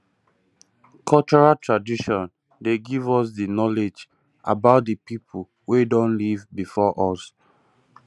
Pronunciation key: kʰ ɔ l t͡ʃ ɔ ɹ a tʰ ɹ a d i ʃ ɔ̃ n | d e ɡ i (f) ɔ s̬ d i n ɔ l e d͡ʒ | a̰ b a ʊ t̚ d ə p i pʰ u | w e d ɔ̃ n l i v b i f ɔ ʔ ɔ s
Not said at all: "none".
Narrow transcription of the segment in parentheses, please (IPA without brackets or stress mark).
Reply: v